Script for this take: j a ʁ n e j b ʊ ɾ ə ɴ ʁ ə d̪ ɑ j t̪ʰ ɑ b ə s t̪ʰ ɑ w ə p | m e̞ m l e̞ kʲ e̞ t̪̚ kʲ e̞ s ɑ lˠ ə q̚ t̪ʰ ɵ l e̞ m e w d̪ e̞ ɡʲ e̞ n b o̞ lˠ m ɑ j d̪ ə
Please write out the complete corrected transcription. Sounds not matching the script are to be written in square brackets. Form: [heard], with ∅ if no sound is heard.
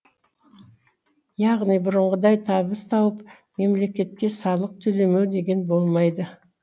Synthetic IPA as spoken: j [ɑ] ʁ n [i] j b ʊ ɾ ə ɴ ʁ ə d̪ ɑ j t̪ʰ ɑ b ə s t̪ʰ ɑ w ə p | m e̞ m l e̞ kʲ e̞ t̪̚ kʲ e̞ s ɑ lˠ ə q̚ t̪ʰ ɵ l e̞ m e w d̪ e̞ ɡʲ e̞ n b o̞ lˠ m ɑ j d̪ ə

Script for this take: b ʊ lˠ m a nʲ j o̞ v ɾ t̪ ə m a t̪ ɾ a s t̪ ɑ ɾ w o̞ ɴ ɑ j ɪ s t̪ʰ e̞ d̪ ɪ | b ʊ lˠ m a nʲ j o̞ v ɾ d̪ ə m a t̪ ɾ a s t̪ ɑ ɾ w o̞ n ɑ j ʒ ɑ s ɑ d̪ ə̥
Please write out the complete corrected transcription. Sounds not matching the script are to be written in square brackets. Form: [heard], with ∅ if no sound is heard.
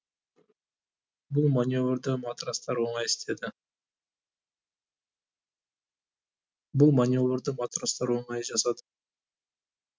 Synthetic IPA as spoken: b ʊ lˠ m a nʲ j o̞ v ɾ [d̪] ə m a t̪ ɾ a s t̪ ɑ ɾ w o̞ ɴ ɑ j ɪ s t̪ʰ e̞ d̪ ɪ | b ʊ lˠ m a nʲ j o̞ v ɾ d̪ ə m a t̪ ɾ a s t̪ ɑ ɾ w o̞ [ɴ] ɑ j ʒ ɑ s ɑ d̪ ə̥

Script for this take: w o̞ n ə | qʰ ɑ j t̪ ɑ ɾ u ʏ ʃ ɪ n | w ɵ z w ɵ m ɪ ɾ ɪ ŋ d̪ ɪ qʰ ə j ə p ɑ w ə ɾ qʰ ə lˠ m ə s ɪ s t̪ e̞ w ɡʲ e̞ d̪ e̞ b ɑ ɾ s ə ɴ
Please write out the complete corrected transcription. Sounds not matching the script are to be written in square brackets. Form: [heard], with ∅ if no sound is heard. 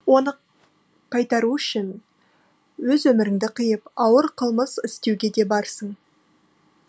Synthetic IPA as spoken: w o̞ n ə | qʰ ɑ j t̪ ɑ ɾ u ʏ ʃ ɪ n | w ɵ z w ɵ m ɪ ɾ ɪ ŋ d̪ ɪ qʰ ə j ə p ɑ w ə ɾ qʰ ə lˠ m ə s ɪ s t̪ e̞ w ɡʲ e̞ d̪ e̞ b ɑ ɾ s ə ɴ

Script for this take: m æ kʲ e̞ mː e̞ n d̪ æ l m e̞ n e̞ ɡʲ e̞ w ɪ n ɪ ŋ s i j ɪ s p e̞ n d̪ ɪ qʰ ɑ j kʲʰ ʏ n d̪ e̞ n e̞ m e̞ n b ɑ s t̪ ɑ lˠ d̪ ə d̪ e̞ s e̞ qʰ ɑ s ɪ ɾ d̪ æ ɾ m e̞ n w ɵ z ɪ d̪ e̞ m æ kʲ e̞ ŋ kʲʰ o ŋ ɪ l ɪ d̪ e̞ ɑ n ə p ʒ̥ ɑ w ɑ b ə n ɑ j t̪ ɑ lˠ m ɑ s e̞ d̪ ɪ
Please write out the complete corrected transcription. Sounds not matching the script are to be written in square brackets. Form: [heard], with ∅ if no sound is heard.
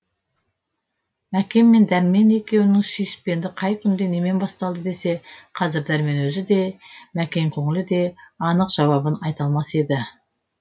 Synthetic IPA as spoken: m æ kʲ e̞ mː e̞ n d̪ æ [ɾ] m e̞ n e̞ [kʲ] e̞ w ɪ n ɪ ŋ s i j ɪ s p e̞ n d̪ ɪ qʰ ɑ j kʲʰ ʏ n d̪ e̞ n e̞ m e̞ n b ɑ s t̪ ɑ lˠ d̪ ə d̪ e̞ s e̞ qʰ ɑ [z] ɪ ɾ d̪ æ ɾ m e̞ n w ɵ z ɪ d̪ e̞ m æ kʲ e̞ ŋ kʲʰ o ŋ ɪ l ɪ d̪ e̞ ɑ n ə [q] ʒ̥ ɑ w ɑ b ə n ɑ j t̪ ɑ lˠ m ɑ s e̞ d̪ ɪ

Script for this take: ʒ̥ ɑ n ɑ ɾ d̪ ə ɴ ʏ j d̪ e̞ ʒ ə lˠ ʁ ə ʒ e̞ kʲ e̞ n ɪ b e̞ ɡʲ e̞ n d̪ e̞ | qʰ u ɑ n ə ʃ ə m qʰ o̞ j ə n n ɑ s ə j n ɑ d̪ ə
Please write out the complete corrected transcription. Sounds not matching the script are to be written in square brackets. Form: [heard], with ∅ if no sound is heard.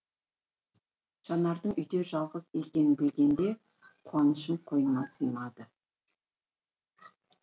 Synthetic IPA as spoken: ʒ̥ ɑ n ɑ ɾ d̪ ə ɴ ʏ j d̪ e̞ ʒ [ɑ] lˠ ʁ ə [z] e̞ kʲ e̞ n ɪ b e̞ ɡʲ e̞ n d̪ e̞ | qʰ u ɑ n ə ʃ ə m qʰ o̞ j ə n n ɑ s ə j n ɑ d̪ ə

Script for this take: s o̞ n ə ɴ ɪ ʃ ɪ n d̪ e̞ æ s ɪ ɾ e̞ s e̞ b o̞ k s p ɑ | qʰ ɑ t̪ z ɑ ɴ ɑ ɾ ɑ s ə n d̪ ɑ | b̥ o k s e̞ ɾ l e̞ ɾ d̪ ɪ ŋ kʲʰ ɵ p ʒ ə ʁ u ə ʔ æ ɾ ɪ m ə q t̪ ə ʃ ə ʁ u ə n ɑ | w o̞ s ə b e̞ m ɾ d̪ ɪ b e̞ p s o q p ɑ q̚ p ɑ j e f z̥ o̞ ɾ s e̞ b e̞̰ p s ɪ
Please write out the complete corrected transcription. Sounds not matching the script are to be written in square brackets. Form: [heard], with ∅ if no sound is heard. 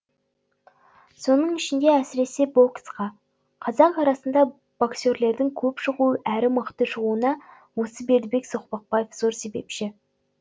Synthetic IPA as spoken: s o̞ n ə ɴ ɪ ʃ ɪ n d̪ e̞ æ s ɪ ɾ e̞ s e̞ b o̞ k s [q] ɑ | qʰ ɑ [∅] z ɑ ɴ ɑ ɾ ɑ s ə n d̪ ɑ | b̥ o k s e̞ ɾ l e̞ ɾ d̪ ɪ ŋ kʲʰ ɵ p [ʃ] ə ʁ u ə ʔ æ ɾ ɪ m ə q t̪ ə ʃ ə ʁ u ə n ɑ | w o̞ s ə b e̞ [∅] ɾ d̪ ɪ b e̞ [k] s o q p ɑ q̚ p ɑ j e f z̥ o̞ ɾ s e̞ b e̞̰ p [ʃ] ɪ

